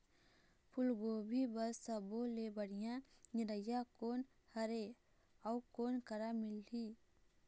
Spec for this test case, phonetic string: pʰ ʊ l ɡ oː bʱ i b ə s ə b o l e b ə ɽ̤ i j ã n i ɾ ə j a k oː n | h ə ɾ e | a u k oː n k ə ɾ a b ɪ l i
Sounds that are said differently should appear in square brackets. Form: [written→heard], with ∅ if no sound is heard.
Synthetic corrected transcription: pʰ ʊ l ɡ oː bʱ i b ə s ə b o l e b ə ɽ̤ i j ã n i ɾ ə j a k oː n | h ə ɾ e | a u k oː n k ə ɾ a [b→m] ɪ l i

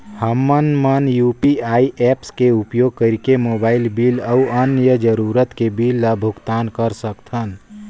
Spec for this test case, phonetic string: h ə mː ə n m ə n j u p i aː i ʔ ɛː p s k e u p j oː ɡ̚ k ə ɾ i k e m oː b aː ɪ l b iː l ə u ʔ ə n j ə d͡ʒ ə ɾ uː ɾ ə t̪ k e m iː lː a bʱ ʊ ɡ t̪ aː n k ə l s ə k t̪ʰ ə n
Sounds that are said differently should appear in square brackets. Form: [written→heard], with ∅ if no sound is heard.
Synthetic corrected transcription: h ə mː ə n m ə n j u p i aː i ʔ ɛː p s k e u p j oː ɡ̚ k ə ɾ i k e m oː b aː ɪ l b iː l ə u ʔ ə n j ə d͡ʒ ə ɾ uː ɾ ə t̪ k e [m→b] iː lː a bʱ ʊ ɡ t̪ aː n k ə [l→ɾ] s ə k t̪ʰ ə n

